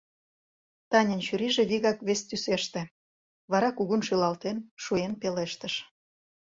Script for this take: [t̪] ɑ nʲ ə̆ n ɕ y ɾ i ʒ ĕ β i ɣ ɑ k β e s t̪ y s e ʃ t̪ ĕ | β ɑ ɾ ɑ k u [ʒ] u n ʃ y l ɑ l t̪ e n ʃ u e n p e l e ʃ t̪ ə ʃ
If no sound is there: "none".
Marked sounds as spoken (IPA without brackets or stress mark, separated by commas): t̪, ɣ